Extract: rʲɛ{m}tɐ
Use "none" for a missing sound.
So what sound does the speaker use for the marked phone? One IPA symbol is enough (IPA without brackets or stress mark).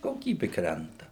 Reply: n